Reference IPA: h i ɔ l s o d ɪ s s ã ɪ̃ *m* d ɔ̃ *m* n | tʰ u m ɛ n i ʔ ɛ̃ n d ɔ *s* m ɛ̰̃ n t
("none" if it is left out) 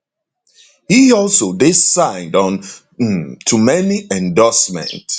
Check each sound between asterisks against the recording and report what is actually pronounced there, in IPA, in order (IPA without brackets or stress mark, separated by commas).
n, none, s